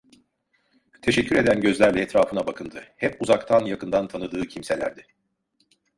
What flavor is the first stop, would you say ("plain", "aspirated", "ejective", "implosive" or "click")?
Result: aspirated